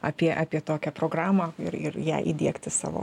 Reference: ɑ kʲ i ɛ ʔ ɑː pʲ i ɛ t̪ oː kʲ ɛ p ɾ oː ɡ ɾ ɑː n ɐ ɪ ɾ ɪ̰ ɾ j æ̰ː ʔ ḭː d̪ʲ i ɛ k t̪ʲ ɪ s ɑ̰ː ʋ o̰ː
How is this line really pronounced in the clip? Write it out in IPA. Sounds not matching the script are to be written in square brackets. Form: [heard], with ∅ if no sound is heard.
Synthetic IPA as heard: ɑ [pʲ] i ɛ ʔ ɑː pʲ i ɛ t̪ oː kʲ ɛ p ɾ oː ɡ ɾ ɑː [m] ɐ ɪ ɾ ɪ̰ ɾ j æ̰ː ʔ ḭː d̪ʲ i ɛ k t̪ʲ ɪ s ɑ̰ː ʋ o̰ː